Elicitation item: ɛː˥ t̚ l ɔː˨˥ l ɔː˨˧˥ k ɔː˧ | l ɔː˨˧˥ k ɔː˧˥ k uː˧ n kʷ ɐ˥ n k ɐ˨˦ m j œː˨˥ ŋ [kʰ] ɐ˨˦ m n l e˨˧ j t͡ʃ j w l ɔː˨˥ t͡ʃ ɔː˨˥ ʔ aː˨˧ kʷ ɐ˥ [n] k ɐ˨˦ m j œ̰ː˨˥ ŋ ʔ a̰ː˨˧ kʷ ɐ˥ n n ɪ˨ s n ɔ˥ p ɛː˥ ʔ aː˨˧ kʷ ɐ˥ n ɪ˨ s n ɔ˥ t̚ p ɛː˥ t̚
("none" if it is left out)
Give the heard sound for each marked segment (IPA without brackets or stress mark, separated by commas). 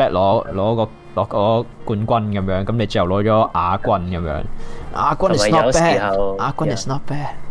k, n